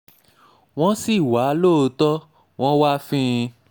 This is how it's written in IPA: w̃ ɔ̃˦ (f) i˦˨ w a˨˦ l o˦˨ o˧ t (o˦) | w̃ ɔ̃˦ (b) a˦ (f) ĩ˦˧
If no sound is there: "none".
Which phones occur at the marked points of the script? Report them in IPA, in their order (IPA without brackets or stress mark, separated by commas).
s, ɔ˦, w, f